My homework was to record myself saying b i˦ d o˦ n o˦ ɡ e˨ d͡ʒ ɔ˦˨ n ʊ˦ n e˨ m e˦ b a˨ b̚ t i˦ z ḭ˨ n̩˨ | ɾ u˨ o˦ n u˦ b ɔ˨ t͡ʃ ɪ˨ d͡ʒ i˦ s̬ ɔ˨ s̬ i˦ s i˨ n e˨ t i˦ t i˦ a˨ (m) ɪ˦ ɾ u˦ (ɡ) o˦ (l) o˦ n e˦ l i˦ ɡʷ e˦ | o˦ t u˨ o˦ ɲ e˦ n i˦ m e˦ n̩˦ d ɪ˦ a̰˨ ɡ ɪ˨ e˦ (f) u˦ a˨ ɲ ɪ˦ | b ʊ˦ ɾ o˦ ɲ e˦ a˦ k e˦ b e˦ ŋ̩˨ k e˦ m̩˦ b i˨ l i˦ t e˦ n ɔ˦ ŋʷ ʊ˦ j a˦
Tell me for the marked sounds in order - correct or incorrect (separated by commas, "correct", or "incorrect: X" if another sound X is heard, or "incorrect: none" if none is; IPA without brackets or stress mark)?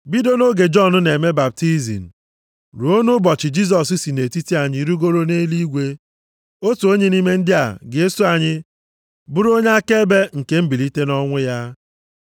incorrect: ɲ, correct, incorrect: ɾ, incorrect: s